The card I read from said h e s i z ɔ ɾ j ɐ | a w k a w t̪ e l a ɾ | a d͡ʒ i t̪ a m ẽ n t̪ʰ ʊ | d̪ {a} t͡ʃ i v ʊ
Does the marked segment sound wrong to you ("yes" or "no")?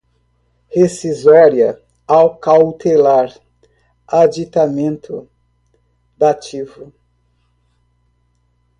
no